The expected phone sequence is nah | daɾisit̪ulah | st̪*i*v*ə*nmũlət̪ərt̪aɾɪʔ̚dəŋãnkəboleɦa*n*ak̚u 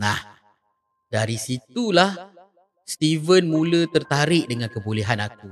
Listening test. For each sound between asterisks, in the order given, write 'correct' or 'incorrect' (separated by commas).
correct, correct, correct